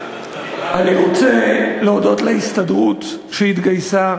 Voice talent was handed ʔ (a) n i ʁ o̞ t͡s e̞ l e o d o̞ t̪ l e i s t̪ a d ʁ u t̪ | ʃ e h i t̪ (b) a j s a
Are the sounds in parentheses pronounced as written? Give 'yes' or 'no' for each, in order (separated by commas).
yes, no